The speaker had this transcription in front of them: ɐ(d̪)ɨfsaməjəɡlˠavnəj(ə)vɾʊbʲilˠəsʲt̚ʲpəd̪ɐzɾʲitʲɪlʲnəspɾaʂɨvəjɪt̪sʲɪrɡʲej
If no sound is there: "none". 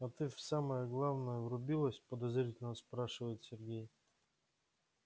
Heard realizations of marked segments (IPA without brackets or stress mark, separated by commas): t̪, ə